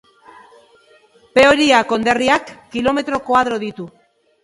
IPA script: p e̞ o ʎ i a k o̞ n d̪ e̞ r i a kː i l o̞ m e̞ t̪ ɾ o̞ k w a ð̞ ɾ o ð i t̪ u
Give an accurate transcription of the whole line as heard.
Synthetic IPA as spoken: p e̞ o ɾ i a k o̞ n d̪ e̞ r i a kː i l o̞ m e̞ t̪ ɾ o̞ k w a ð̞ ɾ o ð i t̪ u